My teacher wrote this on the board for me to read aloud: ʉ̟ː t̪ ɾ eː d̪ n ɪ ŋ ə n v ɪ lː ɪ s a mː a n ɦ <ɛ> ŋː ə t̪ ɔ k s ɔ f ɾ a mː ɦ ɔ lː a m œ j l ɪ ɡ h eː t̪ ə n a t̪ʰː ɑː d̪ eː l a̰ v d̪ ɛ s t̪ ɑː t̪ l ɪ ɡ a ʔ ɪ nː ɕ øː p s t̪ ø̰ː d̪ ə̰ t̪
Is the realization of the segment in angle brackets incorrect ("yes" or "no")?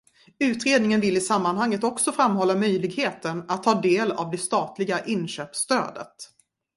yes